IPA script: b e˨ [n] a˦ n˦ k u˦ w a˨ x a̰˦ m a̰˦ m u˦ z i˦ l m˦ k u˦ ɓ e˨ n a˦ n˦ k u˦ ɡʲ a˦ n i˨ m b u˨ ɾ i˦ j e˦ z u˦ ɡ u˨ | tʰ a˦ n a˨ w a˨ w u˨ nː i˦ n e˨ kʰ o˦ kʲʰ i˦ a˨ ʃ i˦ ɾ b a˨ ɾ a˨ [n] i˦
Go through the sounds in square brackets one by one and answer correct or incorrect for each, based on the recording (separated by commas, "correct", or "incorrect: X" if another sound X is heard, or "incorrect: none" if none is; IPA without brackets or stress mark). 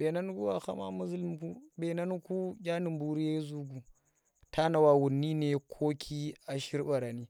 correct, correct